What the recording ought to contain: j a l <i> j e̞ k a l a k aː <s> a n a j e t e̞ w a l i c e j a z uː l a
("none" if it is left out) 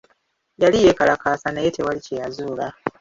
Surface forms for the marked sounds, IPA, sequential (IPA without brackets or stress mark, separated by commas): i, s